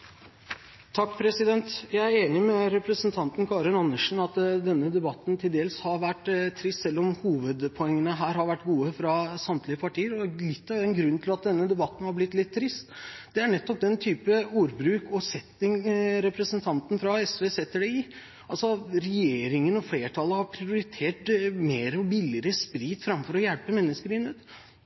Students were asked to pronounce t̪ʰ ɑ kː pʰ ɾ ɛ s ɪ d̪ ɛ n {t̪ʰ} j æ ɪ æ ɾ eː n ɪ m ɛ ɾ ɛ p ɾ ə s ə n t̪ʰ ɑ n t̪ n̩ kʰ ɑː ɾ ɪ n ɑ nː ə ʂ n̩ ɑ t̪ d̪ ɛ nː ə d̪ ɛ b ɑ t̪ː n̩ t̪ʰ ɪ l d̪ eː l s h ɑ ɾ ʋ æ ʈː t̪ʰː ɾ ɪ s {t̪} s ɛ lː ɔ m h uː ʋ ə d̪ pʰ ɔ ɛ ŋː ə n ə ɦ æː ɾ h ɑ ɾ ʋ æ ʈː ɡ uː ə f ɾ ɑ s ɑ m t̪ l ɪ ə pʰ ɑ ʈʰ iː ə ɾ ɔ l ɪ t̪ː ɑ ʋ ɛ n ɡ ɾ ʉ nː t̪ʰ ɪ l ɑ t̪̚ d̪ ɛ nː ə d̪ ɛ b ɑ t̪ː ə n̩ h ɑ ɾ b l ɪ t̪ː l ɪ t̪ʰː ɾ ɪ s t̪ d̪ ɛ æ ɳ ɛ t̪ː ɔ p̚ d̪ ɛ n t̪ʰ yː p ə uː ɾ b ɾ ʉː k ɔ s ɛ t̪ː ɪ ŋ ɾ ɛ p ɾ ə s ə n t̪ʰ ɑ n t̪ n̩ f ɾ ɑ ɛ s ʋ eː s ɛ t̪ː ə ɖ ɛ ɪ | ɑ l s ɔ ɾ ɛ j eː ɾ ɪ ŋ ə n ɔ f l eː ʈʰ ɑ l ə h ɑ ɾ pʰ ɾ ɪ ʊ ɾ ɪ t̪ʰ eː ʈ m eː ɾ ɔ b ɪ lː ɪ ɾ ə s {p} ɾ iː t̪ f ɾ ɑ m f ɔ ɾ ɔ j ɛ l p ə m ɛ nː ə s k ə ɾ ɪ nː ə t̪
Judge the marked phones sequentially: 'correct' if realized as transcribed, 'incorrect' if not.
incorrect: t̪, correct, correct

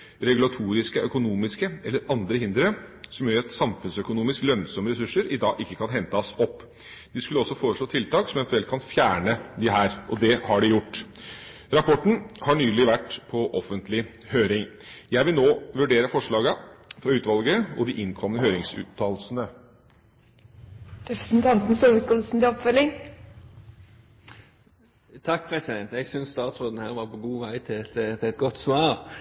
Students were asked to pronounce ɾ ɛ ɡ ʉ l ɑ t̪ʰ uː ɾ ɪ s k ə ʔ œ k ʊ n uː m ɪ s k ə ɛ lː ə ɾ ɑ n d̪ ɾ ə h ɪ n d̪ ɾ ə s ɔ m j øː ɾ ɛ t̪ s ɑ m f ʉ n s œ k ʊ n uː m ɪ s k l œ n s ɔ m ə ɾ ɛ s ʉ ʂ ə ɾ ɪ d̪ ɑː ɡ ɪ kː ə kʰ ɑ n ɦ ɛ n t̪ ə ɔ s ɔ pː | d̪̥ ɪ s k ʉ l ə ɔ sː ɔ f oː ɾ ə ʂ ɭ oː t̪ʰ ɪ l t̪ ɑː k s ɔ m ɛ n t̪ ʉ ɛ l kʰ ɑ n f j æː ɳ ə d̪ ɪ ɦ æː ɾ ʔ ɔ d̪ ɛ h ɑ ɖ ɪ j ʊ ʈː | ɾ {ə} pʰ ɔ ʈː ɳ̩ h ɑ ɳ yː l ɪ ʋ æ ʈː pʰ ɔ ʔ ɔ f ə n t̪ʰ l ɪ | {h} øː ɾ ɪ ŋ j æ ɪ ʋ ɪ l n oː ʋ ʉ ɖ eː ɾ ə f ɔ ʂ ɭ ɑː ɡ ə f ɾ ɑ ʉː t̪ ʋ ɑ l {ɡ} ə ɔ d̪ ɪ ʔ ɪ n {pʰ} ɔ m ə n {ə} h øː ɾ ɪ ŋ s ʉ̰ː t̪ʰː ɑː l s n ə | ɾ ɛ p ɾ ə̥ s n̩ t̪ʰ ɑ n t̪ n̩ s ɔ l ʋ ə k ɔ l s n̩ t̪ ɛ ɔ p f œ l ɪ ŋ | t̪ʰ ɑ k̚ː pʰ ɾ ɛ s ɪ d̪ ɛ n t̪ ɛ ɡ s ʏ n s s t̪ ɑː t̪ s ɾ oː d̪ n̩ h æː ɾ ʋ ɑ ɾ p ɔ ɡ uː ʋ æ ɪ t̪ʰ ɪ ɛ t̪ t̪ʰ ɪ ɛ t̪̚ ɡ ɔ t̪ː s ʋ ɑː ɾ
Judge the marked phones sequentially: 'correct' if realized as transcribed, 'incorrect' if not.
incorrect: ɑ, correct, correct, incorrect: kʰ, correct

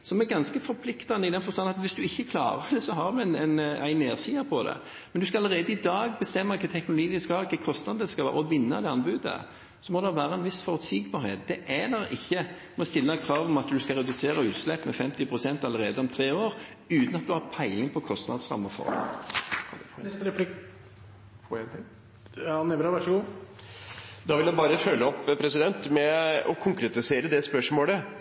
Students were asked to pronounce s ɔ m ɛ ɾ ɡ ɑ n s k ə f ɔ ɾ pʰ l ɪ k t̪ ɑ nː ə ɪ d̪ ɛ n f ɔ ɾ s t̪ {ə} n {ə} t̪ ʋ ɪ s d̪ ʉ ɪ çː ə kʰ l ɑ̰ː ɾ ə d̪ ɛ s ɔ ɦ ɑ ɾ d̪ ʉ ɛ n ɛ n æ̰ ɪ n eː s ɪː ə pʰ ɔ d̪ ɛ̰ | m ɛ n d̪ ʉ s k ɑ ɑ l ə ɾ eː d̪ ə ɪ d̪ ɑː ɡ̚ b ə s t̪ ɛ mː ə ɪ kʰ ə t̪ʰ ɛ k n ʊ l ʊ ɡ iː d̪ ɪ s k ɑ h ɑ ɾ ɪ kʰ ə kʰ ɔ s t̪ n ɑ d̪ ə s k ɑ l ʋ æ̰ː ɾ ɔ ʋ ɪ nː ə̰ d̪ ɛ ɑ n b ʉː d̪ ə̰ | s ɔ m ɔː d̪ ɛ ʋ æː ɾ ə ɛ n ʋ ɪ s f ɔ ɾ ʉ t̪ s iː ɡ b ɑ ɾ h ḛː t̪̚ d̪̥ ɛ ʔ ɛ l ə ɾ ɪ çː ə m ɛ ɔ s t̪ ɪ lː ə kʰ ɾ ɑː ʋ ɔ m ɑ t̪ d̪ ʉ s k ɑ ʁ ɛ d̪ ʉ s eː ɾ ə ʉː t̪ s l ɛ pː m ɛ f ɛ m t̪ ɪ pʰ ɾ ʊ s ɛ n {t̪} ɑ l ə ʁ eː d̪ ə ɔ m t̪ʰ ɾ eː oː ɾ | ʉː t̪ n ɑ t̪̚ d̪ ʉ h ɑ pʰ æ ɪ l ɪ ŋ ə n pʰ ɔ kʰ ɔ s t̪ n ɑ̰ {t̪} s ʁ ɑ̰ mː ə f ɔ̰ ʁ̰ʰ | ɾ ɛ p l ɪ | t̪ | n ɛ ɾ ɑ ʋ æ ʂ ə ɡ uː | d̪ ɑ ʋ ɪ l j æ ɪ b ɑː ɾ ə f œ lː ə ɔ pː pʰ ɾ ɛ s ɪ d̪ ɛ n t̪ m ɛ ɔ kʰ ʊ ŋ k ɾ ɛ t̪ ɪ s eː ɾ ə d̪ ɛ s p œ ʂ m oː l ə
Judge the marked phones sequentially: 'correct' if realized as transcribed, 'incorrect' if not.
incorrect: ɑ, incorrect: ɑ, correct, incorrect: d̪

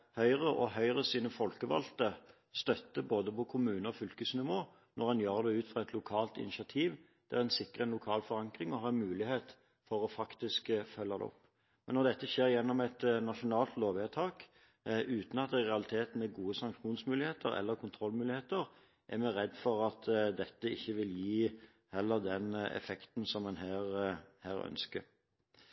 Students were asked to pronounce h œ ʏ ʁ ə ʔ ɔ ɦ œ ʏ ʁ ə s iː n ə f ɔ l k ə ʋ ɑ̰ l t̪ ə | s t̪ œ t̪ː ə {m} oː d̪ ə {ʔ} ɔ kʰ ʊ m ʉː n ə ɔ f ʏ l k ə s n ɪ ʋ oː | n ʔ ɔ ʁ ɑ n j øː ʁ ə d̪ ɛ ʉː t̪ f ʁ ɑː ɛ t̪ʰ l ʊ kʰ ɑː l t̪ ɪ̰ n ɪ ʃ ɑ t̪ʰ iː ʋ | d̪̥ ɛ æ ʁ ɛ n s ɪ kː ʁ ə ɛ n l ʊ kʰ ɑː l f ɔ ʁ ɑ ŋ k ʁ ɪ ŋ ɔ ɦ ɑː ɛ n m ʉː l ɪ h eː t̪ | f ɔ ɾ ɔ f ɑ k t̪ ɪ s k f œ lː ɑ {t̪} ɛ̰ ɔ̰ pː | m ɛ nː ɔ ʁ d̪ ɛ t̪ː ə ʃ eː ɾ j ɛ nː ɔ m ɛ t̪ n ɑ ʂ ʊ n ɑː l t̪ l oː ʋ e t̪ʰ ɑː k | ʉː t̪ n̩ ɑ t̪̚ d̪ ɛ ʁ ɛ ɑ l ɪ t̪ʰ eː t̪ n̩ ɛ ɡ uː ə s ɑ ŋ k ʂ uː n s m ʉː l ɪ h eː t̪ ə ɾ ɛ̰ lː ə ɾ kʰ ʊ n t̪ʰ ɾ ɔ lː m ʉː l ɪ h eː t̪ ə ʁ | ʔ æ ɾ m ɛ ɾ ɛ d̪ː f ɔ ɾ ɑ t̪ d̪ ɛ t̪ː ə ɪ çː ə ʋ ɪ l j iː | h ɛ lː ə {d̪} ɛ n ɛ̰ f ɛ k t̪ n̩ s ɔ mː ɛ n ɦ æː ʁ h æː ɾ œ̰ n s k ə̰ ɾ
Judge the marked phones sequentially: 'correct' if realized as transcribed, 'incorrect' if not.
incorrect: b, incorrect: p, incorrect: d̪, correct

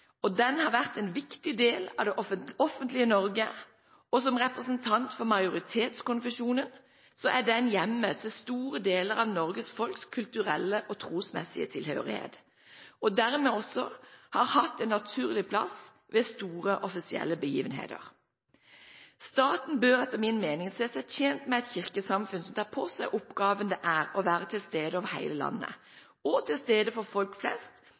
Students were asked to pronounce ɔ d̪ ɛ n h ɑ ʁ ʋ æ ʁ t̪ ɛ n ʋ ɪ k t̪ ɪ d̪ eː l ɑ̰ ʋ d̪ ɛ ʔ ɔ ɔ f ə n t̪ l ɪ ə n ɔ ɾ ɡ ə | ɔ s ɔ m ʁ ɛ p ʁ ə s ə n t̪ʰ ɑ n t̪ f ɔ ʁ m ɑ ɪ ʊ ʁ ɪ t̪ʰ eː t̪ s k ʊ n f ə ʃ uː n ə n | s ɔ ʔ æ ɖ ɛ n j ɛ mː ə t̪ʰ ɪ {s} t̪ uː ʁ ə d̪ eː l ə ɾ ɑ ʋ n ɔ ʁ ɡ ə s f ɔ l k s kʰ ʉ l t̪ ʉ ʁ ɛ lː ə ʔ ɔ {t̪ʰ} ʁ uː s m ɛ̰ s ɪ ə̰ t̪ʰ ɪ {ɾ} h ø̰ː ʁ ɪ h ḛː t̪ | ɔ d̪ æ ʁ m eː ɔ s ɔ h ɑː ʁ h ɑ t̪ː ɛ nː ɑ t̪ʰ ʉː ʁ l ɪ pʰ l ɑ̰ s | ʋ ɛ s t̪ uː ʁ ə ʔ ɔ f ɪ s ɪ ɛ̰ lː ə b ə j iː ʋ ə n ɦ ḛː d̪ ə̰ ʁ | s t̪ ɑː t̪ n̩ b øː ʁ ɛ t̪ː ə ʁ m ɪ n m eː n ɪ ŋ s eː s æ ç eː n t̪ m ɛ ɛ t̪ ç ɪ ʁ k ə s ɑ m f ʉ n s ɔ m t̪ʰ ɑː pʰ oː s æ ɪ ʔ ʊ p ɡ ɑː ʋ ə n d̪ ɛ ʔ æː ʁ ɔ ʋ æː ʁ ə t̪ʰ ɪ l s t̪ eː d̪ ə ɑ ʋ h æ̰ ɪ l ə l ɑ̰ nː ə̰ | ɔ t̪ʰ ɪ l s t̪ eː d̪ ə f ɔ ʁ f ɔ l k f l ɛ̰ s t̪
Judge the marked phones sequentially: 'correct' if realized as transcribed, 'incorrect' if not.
correct, correct, incorrect: l

